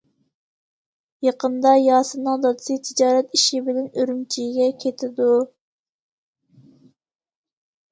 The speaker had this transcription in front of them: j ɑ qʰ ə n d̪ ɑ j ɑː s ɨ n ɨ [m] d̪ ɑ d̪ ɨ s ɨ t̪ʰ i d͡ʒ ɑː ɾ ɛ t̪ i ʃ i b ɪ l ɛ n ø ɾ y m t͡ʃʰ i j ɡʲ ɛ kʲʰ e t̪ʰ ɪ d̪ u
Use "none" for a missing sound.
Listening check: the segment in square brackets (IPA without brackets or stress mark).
ŋ